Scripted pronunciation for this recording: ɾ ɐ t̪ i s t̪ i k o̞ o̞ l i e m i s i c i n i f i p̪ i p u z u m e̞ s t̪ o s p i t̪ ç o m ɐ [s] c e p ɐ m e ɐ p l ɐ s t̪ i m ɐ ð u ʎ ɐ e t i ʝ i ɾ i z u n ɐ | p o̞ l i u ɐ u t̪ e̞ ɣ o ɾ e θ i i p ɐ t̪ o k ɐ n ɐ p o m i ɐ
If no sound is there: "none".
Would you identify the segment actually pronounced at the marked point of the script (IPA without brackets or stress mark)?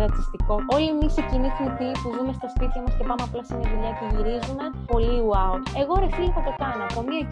s